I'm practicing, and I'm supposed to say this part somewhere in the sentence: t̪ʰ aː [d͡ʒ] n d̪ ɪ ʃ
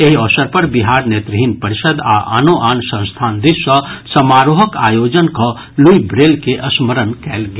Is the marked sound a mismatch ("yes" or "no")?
yes